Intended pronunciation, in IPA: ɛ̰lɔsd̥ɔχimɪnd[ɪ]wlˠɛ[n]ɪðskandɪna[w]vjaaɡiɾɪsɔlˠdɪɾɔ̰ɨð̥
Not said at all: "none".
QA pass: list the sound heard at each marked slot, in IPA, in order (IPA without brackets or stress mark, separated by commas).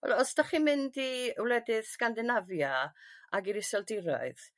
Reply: i, d, none